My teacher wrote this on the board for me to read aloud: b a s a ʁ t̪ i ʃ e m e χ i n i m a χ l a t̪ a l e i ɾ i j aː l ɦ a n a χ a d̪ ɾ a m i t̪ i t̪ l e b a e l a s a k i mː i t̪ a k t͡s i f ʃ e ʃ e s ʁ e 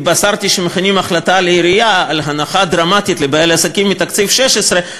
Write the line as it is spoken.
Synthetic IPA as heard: b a s a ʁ t̪ i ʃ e m e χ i n i m a χ l a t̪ a l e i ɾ i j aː l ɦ a n a χ a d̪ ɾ a m a t̪ i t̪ l e b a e l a s a k i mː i t̪ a k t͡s i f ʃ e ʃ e s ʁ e